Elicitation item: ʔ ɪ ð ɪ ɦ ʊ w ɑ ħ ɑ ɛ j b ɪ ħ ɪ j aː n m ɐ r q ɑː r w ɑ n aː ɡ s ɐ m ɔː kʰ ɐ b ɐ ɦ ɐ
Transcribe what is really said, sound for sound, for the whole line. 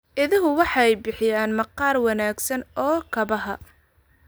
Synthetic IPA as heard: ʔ ɪ ð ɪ ɦ ʊ w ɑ ħ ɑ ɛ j b ɪ ħ ɪ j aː n m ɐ q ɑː r w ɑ n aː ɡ s ɐ n ɔː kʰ ɐ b ɐ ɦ ɐ